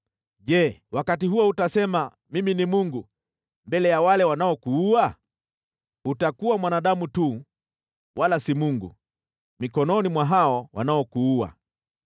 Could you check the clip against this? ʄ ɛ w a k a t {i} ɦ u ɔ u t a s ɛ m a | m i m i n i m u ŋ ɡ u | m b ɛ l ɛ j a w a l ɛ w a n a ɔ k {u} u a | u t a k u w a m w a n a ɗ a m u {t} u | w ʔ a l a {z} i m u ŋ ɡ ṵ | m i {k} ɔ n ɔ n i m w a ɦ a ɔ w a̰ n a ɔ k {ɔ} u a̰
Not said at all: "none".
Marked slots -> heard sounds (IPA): i, u, t, s, k, u

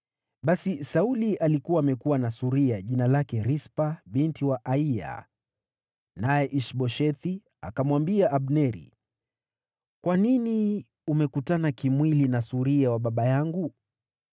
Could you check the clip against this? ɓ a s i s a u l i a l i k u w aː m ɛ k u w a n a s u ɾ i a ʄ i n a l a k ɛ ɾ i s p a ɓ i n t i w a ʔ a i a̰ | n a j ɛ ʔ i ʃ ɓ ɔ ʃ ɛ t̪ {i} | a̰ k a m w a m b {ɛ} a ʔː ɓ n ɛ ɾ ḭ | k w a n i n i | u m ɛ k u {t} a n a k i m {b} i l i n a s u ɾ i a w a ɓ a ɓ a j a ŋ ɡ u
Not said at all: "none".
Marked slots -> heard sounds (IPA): i, i, t, w

